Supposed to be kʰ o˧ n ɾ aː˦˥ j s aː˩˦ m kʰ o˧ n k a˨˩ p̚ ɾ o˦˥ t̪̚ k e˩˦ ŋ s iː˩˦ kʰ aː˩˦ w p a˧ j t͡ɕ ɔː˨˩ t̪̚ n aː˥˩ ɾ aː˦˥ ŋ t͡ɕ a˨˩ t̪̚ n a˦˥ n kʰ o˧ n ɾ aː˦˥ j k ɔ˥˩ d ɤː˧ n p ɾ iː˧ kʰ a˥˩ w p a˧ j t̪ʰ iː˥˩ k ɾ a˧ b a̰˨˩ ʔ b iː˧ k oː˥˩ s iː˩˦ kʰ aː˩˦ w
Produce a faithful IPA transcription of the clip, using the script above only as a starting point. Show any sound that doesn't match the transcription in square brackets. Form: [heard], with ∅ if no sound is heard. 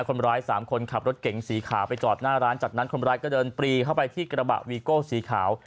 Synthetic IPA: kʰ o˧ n ɾ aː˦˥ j s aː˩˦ m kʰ o˧ n [kʰ] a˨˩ p̚ ɾ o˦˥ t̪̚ k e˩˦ ŋ s iː˩˦ kʰ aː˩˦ w p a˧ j t͡ɕ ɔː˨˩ t̪̚ n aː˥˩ ɾ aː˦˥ [n] t͡ɕ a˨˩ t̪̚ n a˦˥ n kʰ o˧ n ɾ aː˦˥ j k [ɔː˥˩] d ɤː˧ n p ɾ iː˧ kʰ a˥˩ w p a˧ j t̪ʰ iː˥˩ k ɾ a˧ b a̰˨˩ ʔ [w] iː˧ k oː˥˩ s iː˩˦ kʰ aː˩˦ w